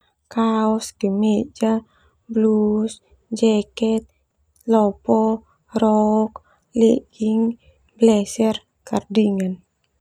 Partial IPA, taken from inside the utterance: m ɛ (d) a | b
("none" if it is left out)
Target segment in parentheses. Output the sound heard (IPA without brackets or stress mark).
d͡ʒ